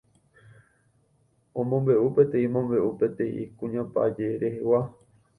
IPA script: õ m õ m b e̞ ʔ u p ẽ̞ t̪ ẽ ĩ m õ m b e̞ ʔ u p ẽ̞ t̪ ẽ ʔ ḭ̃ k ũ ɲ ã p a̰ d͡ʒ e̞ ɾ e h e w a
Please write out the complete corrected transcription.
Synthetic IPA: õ m õ m b e̞ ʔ u p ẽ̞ t̪ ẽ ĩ m õ m b e̞ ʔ u p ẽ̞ t̪ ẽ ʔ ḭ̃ k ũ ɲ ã p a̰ d͡ʒ e̞ ɾ e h e w a